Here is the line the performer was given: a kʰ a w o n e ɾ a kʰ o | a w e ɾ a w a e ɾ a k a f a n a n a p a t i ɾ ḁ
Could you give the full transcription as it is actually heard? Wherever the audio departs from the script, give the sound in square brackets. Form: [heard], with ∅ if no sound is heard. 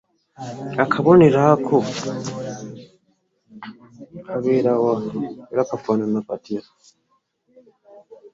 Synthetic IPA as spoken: a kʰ a [β] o n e ɾ a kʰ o | a [β] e ɾ a w a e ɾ a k a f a n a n a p a t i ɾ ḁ